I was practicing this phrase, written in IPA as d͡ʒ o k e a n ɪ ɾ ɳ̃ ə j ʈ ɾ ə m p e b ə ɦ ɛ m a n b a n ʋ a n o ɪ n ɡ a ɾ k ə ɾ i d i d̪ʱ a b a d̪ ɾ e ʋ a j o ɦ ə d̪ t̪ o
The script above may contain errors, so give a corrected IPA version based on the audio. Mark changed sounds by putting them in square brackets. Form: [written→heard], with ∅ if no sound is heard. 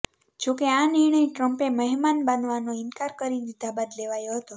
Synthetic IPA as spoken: d͡ʒ o k e a n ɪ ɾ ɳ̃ ə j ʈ ɾ ə m p e [b→m] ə ɦ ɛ m a n b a n ʋ a n o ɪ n [ɡ→k] a ɾ k ə ɾ i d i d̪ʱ a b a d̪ [ɾ→l] e ʋ a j o ɦ ə [d̪→∅] t̪ o